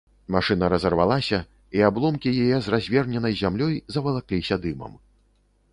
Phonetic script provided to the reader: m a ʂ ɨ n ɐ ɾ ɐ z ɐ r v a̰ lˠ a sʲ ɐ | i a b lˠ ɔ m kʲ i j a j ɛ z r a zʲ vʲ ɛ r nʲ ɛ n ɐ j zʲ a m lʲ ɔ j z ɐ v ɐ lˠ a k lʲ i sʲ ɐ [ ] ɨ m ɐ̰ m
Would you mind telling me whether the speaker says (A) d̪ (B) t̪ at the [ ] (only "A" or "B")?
A